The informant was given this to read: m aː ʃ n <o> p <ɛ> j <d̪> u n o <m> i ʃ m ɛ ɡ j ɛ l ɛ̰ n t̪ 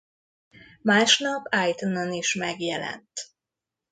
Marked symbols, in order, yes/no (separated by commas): no, no, no, no